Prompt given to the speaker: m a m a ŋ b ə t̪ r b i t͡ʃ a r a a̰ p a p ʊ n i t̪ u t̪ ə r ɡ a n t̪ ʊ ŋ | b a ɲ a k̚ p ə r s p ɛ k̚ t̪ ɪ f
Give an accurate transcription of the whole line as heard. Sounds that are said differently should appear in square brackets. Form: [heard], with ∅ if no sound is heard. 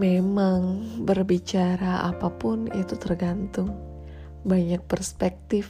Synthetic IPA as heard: m [e] m a ŋ b ə [∅] r b i t͡ʃ a [ɾ] a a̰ p a p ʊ n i t̪ u t̪ ə r ɡ a n t̪ ʊ ŋ | b a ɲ a k̚ p ə r s p ɛ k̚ t̪ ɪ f